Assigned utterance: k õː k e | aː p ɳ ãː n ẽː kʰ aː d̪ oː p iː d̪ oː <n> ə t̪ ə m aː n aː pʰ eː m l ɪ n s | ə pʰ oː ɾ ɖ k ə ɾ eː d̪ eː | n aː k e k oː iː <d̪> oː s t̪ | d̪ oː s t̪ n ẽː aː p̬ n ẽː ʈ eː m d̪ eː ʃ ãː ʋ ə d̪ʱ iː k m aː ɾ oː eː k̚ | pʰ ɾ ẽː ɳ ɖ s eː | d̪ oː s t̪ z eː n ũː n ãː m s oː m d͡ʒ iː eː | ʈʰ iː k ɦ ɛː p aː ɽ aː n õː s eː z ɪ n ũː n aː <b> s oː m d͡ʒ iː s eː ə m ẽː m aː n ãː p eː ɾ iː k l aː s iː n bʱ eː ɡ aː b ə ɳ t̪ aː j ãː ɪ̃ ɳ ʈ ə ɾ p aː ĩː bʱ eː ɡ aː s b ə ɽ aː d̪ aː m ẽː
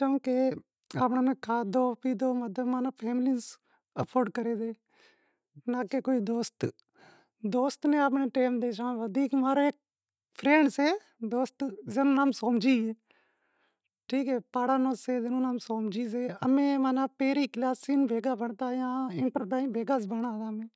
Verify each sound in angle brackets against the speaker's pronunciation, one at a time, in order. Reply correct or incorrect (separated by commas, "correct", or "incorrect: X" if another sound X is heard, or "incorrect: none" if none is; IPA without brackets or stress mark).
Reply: incorrect: m, correct, incorrect: m